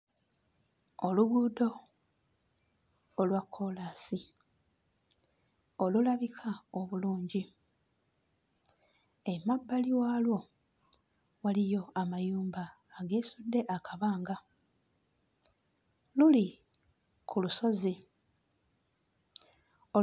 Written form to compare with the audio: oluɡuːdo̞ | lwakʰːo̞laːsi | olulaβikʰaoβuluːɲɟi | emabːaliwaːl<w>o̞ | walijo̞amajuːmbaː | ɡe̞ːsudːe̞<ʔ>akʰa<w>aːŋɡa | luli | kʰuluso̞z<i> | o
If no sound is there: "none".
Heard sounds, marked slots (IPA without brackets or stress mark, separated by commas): w, ʔ, β, i